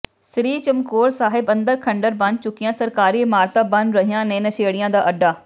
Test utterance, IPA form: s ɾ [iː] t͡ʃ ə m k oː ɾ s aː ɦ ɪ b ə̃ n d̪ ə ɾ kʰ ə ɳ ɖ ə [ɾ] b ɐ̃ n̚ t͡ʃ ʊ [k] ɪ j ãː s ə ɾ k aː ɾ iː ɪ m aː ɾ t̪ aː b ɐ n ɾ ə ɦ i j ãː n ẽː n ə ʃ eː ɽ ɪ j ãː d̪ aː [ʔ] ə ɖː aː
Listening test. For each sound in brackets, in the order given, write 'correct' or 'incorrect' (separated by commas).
correct, correct, correct, correct